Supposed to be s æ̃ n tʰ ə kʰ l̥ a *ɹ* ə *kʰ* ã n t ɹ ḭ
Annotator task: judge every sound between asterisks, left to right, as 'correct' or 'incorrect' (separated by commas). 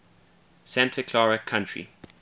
correct, correct